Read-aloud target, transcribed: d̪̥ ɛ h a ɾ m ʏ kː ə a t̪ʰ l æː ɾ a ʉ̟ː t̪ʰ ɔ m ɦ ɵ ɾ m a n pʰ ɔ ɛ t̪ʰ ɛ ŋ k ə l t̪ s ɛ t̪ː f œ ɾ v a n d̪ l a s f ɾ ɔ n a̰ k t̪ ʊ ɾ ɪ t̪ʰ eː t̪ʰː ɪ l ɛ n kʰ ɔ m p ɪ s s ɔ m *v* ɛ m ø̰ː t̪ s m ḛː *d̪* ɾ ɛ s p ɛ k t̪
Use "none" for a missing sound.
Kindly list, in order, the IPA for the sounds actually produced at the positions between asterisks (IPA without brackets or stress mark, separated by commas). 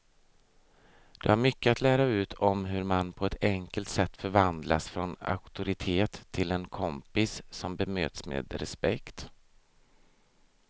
b, d̪